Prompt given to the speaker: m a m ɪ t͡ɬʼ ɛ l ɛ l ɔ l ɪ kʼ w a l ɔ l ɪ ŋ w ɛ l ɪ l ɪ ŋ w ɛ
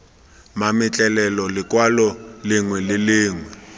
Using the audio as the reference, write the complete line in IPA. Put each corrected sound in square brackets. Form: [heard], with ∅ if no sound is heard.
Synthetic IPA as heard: m a m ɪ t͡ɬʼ ɛ l ɛ l ɔ l ɪ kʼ w a l ɔ l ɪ ŋ w ɛ l ɪ l [ɪː] ŋ w ɛ